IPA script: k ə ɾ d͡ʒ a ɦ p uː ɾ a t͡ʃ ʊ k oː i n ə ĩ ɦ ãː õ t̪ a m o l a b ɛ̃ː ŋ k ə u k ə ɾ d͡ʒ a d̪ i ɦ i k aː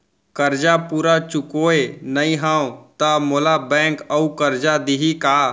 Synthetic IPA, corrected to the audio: k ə ɾ d͡ʒ a p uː ɾ a t͡ʃ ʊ k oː e n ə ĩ ɦ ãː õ t̪ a m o l a b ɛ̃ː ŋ k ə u k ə ɾ d͡ʒ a d̪ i ɦ i k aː